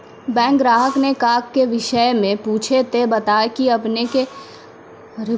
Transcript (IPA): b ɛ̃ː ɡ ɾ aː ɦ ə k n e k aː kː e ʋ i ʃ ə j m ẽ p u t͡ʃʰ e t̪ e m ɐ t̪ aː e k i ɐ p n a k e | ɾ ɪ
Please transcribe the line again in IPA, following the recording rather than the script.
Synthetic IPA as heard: b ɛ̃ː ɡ ɾ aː ɦ ə k n e k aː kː e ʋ ɪ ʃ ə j m ẽ p uː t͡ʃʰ e t̪ e b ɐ t̪ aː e k i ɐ p n e k e | ɾ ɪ